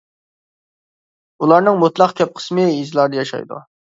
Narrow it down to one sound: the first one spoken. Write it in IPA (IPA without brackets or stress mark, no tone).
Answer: u